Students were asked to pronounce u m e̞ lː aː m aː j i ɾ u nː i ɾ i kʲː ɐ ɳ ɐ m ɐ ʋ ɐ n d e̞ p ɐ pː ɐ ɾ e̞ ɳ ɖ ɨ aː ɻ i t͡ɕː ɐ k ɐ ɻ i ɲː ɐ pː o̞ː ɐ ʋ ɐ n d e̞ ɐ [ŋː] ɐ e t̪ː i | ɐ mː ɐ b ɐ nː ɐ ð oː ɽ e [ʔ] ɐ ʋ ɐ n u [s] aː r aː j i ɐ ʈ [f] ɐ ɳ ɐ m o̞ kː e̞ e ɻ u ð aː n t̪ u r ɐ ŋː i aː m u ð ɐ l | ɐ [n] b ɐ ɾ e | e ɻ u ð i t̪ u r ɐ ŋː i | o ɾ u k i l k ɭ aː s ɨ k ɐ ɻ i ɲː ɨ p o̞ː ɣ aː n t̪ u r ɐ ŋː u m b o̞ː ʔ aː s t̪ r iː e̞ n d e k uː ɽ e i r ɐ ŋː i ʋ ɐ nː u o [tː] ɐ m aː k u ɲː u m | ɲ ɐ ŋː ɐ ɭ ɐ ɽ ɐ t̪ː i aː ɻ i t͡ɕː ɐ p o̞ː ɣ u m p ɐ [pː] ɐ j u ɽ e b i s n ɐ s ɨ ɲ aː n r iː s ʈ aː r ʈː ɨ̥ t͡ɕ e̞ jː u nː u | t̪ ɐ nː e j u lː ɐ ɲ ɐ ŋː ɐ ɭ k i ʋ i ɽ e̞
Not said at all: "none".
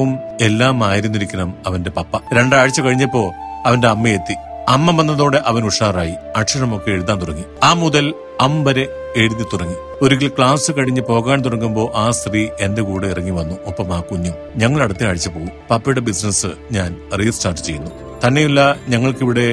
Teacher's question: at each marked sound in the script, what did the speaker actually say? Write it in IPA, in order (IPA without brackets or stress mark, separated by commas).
mː, ʔ, ʂ, ʂ, m, pː, pː